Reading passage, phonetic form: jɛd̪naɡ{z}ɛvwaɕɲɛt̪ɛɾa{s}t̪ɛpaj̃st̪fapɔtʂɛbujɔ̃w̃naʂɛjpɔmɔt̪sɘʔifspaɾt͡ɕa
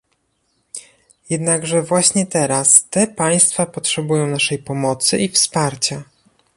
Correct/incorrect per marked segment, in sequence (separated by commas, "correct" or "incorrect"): incorrect, correct